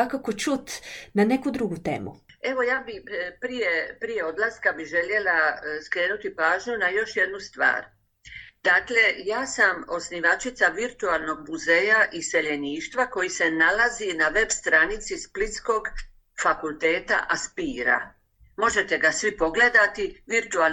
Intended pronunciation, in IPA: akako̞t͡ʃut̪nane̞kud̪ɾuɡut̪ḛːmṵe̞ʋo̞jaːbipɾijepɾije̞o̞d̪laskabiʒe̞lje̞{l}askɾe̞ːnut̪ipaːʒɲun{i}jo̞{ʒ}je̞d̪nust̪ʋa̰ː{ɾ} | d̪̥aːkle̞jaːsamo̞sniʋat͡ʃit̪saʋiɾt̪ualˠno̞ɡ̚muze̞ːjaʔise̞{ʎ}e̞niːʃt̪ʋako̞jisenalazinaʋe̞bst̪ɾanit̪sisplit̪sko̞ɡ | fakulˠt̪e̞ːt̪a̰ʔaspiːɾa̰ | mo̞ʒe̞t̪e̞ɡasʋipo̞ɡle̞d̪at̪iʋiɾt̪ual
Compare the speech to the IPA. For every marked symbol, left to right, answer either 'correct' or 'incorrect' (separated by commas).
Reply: correct, incorrect, incorrect, correct, correct